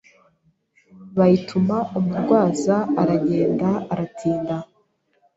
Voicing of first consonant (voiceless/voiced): voiced